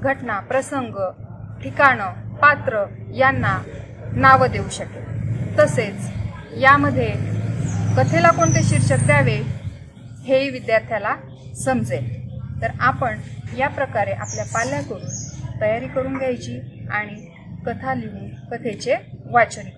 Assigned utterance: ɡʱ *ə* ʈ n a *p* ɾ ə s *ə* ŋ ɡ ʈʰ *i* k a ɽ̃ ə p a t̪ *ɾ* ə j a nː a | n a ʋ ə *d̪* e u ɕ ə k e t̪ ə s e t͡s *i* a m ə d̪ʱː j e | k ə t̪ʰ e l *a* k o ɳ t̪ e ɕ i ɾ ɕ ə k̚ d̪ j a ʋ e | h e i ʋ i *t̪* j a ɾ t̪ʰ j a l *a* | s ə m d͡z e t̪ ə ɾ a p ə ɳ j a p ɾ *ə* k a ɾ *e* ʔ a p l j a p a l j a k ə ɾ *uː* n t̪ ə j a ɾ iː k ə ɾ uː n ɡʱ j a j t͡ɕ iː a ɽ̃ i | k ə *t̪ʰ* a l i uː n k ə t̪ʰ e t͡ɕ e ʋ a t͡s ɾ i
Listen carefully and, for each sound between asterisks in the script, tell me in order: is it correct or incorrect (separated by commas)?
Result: correct, correct, correct, correct, correct, correct, incorrect, correct, incorrect, correct, correct, correct, correct, correct